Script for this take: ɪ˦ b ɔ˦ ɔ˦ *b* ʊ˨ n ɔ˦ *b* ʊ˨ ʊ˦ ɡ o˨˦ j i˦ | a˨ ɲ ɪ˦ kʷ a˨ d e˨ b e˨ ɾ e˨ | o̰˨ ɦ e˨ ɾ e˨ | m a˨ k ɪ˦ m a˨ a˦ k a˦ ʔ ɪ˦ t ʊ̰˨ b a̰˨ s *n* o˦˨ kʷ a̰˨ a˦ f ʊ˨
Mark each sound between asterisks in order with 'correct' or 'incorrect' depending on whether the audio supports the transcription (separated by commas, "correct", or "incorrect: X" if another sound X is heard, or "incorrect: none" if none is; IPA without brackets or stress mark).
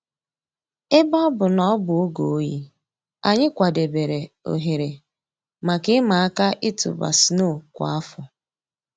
correct, correct, correct